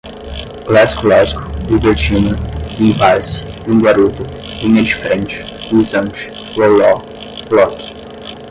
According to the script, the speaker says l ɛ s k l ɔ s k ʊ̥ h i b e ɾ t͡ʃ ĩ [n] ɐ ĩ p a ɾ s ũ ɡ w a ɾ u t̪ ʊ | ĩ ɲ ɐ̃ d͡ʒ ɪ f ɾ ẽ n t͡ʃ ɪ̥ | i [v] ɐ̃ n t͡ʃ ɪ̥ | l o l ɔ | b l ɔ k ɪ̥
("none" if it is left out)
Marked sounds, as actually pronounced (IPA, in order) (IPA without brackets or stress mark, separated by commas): n, z